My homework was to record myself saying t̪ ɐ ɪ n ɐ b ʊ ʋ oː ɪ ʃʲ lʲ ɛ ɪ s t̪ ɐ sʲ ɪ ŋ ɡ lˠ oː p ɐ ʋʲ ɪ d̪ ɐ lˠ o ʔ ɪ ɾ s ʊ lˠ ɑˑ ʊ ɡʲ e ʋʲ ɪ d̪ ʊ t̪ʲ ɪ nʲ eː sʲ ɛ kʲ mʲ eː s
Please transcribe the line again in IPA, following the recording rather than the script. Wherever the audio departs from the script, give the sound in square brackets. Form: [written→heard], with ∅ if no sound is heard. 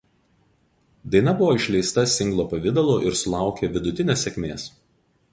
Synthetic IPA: [t̪→d̪] ɐ ɪ n ɐ b ʊ ʋ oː ɪ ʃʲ lʲ ɛ ɪ s t̪ ɐ sʲ ɪ ŋ ɡ lˠ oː p ɐ ʋʲ ɪ d̪ ɐ lˠ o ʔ ɪ ɾ s ʊ lˠ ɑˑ ʊ [ɡʲ→kʲ] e ʋʲ ɪ d̪ ʊ t̪ʲ ɪ nʲ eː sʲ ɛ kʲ mʲ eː s